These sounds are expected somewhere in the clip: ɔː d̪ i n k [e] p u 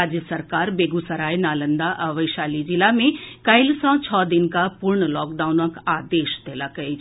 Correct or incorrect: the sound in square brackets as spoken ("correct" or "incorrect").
incorrect